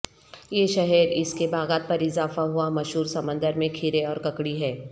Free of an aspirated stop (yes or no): no